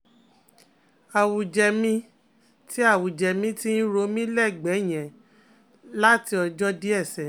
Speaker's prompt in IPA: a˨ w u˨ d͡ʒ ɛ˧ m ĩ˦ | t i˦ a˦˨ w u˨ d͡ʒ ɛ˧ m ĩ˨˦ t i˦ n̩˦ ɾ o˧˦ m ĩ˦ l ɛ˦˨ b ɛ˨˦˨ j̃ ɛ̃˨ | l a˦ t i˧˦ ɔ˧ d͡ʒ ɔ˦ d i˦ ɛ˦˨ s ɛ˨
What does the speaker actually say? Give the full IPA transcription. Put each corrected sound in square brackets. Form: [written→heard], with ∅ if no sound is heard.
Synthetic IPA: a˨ w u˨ d͡ʒ ɛ˧ m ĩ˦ | t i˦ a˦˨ w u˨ d͡ʒ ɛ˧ m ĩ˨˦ t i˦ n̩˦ ɾ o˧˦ m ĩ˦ l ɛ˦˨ [b→ɡ͡b] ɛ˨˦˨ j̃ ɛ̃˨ | l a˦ t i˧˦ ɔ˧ d͡ʒ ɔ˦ d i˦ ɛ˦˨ s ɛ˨